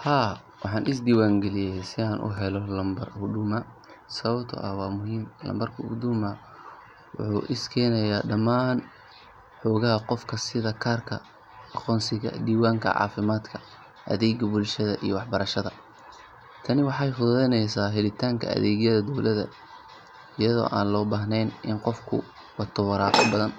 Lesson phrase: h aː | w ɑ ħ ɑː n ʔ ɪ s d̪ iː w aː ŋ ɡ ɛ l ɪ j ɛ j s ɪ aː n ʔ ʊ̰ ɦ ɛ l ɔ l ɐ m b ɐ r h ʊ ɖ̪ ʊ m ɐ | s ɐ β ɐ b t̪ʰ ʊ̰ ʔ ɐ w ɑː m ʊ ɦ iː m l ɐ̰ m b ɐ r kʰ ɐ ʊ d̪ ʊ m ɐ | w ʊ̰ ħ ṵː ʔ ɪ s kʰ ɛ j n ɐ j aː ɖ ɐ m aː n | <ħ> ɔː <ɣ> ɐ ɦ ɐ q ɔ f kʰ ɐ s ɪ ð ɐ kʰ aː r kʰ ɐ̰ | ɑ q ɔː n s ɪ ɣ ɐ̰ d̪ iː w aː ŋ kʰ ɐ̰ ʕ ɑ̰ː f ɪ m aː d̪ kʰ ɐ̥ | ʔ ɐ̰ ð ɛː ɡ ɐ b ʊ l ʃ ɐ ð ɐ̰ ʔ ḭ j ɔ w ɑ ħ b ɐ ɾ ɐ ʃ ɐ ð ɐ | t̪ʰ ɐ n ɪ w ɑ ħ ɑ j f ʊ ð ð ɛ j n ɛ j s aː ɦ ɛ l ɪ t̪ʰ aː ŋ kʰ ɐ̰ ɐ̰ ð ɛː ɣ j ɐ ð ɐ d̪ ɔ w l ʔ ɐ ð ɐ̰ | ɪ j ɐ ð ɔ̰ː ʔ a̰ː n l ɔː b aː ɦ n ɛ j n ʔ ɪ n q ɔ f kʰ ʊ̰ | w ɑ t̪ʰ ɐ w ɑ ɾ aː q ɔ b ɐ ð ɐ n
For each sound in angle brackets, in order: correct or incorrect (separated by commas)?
correct, correct